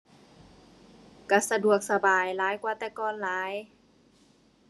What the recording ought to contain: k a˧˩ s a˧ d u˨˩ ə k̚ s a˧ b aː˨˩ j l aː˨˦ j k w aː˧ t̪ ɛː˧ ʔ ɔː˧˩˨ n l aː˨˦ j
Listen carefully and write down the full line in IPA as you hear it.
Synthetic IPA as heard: k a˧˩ s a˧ d u˨˩ ə k̚ s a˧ b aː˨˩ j l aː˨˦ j k w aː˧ t̪ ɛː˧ k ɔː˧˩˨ n l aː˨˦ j